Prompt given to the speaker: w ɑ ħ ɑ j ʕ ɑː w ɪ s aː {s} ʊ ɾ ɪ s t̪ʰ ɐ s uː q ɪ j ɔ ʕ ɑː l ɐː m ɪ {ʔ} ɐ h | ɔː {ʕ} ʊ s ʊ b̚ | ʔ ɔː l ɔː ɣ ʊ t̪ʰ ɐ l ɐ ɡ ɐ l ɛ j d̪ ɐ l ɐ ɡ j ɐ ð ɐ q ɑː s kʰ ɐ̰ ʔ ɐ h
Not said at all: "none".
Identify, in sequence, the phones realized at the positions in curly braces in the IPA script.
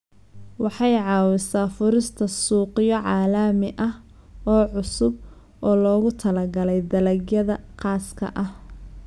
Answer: f, ʔ, ʕ

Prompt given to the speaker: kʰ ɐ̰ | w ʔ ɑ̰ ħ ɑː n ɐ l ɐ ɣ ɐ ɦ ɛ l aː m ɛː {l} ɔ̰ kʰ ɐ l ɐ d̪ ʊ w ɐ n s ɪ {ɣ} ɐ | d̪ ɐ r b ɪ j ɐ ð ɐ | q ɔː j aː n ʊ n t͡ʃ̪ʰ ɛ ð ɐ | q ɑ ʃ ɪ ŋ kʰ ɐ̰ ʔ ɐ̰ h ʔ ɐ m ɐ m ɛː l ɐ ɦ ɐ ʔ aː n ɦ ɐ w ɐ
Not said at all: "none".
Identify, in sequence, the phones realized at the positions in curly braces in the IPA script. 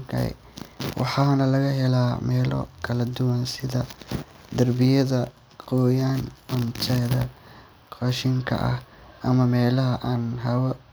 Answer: l, ð

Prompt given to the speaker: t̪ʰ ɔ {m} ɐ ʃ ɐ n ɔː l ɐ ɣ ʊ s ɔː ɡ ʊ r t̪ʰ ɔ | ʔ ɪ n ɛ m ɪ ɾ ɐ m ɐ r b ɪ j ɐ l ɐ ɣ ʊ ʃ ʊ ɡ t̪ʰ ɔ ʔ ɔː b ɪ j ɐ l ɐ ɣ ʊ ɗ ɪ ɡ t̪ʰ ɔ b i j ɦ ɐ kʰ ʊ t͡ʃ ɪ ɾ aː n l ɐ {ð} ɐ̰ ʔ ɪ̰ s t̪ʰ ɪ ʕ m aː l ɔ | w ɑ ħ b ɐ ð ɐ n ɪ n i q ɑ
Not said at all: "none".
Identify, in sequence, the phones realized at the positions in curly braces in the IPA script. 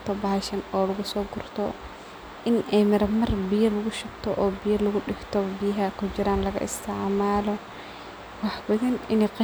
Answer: b, ɣ

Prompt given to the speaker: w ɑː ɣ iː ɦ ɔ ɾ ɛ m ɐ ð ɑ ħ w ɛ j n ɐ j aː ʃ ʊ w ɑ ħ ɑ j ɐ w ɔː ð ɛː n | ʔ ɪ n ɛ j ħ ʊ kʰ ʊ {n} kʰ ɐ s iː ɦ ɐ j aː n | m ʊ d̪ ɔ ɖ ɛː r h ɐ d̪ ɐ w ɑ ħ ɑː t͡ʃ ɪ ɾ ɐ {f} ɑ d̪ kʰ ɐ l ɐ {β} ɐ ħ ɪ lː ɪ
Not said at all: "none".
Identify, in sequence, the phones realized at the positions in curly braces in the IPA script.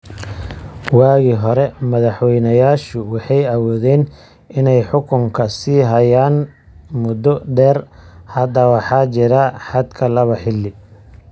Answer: ŋ, ħ, β

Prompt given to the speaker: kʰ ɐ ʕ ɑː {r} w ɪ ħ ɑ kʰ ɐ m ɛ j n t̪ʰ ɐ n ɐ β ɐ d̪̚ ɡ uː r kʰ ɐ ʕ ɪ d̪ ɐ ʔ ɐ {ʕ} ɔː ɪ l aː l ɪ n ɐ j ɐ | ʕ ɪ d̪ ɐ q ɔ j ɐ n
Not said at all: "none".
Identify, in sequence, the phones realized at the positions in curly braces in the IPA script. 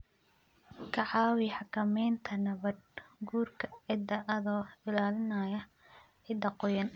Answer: none, ð

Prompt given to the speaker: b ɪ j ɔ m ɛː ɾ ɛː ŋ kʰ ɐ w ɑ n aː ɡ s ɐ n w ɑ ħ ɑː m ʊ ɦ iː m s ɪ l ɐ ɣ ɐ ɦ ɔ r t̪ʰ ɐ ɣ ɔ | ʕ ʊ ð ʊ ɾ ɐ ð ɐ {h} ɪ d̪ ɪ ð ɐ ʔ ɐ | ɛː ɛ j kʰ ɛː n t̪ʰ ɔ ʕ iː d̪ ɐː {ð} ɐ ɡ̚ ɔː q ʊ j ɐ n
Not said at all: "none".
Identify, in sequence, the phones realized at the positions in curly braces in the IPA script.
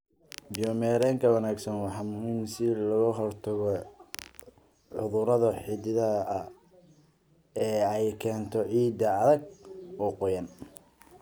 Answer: ħ, ð

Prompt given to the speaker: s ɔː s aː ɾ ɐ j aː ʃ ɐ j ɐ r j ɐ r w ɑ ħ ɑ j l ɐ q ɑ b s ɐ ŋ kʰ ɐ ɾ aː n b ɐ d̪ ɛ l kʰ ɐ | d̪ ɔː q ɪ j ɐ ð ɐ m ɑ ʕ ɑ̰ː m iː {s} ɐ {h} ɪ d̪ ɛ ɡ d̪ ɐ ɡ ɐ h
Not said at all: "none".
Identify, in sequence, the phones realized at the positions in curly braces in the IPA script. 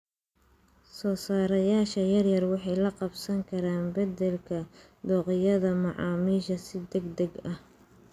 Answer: ʃ, s

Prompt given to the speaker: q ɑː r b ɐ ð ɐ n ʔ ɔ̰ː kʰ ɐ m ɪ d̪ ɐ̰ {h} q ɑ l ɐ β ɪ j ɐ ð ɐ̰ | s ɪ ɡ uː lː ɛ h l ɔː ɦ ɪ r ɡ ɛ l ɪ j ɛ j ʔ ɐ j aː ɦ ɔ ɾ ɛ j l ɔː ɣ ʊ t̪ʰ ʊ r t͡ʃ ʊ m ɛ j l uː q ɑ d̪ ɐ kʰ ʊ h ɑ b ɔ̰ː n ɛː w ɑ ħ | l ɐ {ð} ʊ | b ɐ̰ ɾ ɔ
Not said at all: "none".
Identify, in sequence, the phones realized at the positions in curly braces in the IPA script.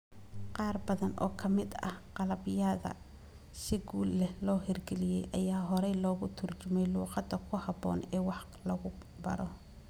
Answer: h, ɣ

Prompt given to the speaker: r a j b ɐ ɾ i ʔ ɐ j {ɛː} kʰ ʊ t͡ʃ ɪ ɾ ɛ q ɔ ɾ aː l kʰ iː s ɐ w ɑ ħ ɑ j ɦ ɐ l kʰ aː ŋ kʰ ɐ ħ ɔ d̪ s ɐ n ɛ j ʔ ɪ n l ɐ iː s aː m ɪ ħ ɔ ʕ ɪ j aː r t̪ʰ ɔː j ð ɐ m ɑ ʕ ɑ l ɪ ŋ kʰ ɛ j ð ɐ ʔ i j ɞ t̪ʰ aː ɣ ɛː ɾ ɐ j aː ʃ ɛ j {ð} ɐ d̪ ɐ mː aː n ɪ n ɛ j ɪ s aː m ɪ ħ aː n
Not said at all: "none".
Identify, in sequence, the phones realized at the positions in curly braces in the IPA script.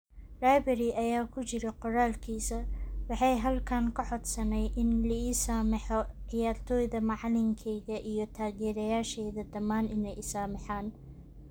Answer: aː, ð

